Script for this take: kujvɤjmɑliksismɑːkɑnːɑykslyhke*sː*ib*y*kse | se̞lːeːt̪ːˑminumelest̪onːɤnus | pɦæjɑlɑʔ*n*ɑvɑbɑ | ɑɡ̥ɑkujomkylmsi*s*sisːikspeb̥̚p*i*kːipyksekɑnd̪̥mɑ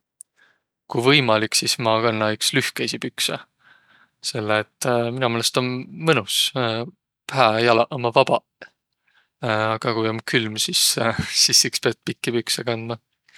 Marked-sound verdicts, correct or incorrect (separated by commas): incorrect, correct, incorrect, correct, correct